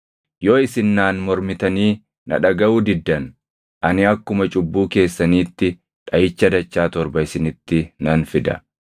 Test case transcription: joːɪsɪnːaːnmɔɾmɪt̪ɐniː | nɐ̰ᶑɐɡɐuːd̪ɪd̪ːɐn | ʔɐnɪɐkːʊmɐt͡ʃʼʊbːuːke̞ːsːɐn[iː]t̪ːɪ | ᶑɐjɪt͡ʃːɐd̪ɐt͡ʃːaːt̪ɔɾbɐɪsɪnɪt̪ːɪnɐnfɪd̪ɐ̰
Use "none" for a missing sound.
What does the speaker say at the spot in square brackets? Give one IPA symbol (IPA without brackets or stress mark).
iː